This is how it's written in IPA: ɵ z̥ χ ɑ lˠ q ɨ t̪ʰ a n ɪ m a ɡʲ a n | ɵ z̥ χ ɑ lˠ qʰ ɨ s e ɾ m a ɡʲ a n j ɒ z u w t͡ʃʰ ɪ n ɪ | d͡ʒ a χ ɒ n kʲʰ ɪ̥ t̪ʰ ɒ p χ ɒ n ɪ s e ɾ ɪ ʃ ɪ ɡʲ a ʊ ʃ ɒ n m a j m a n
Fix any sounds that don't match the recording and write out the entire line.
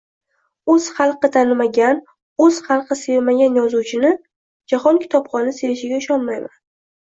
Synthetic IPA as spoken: ɵ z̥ χ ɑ lˠ q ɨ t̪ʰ a n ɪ m a ɡʲ a n | ɵ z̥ χ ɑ lˠ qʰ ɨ s e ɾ m a ɡʲ a n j ɒ z u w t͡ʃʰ ɪ n ɪ | d͡ʒ a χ ɒ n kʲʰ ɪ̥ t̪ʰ ɒ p χ ɒ n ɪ s e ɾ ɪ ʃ ɪ ɡʲ a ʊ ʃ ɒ n m a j m a n

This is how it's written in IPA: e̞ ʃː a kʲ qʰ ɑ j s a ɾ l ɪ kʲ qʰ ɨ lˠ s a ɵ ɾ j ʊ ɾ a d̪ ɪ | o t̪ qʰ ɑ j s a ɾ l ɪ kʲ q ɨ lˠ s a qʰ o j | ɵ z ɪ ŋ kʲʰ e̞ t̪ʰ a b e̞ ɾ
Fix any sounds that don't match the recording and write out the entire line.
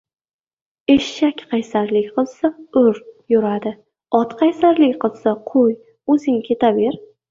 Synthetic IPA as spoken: e̞ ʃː a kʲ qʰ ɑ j s a ɾ l ɪ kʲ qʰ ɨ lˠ s a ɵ ɾ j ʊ ɾ a d̪ ɪ | ɒ t̪ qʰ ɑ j s a ɾ l ɪ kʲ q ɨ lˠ s a qʰ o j | ɵ z ɪ ŋ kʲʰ e̞ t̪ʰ a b e̞ ɾ

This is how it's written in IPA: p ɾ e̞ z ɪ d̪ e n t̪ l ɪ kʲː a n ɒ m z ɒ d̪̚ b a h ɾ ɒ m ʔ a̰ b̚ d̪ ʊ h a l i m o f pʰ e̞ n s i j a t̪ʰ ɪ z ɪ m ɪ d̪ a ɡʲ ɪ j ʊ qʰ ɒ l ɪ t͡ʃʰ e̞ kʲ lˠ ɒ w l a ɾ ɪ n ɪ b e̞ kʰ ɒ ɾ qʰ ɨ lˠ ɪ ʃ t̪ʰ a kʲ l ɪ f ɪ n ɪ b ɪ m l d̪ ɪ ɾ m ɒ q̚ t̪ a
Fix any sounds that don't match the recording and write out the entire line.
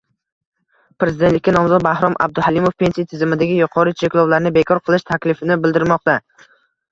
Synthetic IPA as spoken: p ɾ e̞ z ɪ d̪ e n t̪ l ɪ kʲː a n ɒ m z ɒ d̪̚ b a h ɾ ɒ m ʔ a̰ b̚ d̪ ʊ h a l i m o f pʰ e̞ n s i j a t̪ʰ ɪ z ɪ m ɪ d̪ a ɡʲ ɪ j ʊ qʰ ɒ ɾ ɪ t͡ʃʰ e̞ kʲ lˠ ɒ w l a ɾ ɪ n ɪ b e̞ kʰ ɒ ɾ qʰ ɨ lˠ ɪ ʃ t̪ʰ a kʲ l ɪ f ɪ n ɪ b ɪ l d̪ ɪ ɾ m ɒ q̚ t̪ a

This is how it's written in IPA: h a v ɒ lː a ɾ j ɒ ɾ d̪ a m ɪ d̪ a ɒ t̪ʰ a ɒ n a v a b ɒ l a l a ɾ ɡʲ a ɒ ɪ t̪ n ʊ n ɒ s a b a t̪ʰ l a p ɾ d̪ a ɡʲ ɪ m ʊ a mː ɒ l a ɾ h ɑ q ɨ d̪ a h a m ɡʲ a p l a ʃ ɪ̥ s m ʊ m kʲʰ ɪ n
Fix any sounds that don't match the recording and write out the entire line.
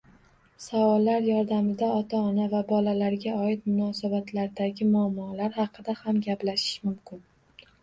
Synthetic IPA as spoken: s a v ɒ lː a ɾ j ɒ ɾ d̪ a m ɪ d̪ a ɒ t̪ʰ a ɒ n a v a b ɒ l a l a ɾ ɡʲ a ɒ ɪ t̪ m ʊ n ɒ s a b a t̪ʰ l a ɾ d̪ a ɡʲ ɪ m ʊ a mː ɒ l a ɾ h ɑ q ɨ d̪ a h a m ɡʲ a p l a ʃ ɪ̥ ʃ m ʊ m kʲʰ ɪ n

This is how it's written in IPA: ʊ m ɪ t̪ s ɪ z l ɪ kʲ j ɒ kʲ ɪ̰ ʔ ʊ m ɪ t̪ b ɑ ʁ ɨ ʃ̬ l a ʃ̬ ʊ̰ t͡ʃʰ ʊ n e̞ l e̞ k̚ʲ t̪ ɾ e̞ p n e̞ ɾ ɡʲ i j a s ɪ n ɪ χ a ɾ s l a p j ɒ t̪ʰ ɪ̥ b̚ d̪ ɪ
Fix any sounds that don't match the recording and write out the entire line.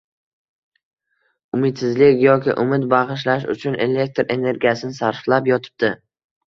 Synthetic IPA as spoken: ʊ m ɪ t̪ s ɪ z l ɪ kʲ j ɒ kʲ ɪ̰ ʔ ʊ m ɪ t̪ b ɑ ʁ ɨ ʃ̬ l a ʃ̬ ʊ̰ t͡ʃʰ ʊ n e̞ l e̞ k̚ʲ t̪ ɾ e̞ n e̞ ɾ ɡʲ i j a s ɪ n ɪ s a ɾ f l a p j ɒ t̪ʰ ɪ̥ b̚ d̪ ɪ

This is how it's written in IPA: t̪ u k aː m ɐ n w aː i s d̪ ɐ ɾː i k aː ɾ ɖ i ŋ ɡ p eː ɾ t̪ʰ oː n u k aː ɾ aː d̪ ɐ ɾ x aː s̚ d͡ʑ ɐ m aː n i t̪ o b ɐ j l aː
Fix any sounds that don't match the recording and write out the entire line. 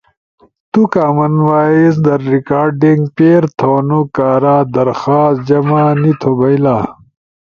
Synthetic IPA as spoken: t̪ u k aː m ɐ n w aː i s d̪ ɐ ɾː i k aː ɾ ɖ i ŋ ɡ p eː ɾ t̪ʰ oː n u k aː ɾ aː d̪ ɐ ɾ x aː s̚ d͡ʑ ɐ m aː n i t̪ʰ o b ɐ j l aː

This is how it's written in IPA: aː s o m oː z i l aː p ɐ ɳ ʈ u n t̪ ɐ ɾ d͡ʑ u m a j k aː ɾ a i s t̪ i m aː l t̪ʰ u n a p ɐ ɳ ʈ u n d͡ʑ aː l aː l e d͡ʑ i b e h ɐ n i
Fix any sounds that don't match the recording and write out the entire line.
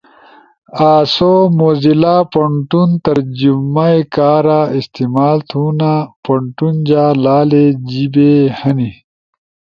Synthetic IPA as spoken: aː s o m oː z i l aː p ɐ ɳ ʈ u n t̪ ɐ ɾ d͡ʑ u m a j k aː ɾ a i s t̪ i m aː l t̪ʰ u n a p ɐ ɳ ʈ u n d͡ʑ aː l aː l e d͡ʑ i b e h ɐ n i

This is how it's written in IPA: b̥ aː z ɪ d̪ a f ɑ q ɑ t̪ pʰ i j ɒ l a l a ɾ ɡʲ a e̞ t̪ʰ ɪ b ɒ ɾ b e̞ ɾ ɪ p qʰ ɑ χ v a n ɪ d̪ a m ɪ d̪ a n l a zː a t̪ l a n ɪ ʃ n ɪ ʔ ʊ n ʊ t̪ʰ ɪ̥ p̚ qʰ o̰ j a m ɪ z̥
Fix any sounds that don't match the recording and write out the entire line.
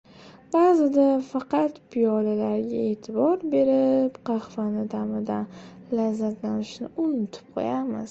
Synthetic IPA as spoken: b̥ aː z ɪ d̪ a f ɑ q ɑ t̪ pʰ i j ɒ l a l a ɾ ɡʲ a e̞ t̪ʰ ɪ b ɒ ɾ b e̞ ɾ ɪ p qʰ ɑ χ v a n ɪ d̪ a m ɪ d̪ a n l a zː a t̪ l a n ɪ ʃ n ɪ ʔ ʊ n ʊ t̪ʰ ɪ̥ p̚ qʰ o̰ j a m ɪ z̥

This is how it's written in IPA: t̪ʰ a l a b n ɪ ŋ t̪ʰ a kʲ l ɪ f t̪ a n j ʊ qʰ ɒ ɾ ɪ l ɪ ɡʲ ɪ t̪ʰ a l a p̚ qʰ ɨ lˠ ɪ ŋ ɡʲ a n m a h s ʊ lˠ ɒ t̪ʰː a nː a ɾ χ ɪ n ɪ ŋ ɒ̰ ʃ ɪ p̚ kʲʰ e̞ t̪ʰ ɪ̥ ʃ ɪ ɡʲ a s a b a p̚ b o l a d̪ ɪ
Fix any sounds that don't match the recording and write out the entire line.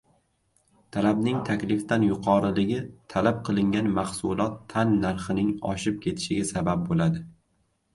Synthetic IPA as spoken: t̪ʰ a l a b n ɪ ŋ t̪ʰ a kʲ l ɪ f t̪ a n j ʊ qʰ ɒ ɾ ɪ l ɪ ɡʲ ɪ t̪ʰ a l a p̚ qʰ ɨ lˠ ɪ ŋ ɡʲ a n m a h s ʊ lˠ ɒ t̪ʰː a nː a ɾ χ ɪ n ɪ ŋ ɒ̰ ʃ ɪ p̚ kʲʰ e̞ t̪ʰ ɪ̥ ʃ ɪ ɡʲ a s a b a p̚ b o l a d̪ ɪ

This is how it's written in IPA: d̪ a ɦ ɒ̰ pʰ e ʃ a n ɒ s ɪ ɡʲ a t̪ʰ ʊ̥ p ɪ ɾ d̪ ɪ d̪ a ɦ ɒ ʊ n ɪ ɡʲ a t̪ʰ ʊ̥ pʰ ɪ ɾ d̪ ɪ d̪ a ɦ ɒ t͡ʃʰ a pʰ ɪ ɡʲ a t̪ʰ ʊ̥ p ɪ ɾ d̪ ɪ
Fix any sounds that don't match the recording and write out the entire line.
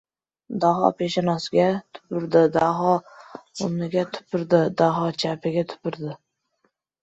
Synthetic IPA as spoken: d̪ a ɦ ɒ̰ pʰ e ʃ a n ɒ s ɪ ɡʲ a t̪ʰ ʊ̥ p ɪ ɾ d̪ ɪ d̪ a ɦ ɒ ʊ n ɪ ɡʲ a t̪ʰ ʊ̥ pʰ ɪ ɾ d̪ ɪ d̪ a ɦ ɒ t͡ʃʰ a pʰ ɪ ɡʲ a t̪ʰ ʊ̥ p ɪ ɾ d̪ ɪ

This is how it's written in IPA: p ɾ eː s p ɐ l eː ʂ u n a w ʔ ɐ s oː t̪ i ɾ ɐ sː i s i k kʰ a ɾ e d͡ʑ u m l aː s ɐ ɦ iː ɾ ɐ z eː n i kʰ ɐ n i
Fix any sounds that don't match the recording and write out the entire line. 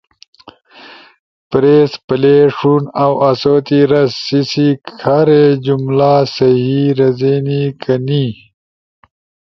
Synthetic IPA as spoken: p ɾ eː s p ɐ l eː ʂ u n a w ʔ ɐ s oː t̪ i ɾ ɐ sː i s i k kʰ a ɾ e d͡ʑ u m l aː s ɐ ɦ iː ɾ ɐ z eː n i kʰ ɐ n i

